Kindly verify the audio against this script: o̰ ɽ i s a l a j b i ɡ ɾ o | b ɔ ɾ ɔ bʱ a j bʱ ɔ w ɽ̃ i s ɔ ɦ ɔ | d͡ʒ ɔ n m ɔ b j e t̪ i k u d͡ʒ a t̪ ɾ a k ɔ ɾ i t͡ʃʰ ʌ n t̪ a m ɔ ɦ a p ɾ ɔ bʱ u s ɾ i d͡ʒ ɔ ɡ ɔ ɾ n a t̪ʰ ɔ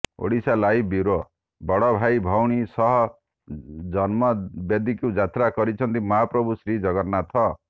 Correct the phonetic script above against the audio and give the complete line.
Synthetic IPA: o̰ ɽ i s a l a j b i ɾ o | b ɔ ɽ ɔ bʱ a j bʱ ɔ w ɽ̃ i s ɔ ɦ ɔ | d͡ʒ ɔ n m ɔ b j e d̪ i k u d͡ʒ a t̪ ɾ a k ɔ ɾ i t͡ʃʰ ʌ n t̪ i m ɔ ɦ a p ɾ ɔ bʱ u s ɾ i d͡ʒ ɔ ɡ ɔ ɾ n a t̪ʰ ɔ